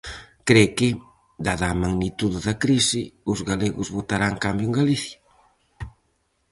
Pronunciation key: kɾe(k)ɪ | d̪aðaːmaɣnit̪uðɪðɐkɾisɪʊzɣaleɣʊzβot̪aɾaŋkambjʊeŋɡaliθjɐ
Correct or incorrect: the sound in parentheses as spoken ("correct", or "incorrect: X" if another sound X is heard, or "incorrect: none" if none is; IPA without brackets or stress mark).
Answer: correct